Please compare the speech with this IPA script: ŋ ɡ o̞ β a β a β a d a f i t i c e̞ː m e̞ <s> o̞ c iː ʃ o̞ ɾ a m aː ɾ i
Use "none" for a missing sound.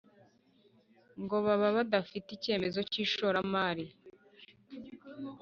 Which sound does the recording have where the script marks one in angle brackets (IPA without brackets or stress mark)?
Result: z